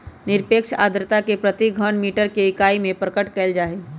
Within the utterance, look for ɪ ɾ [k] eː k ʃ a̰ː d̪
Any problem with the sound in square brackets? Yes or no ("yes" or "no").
yes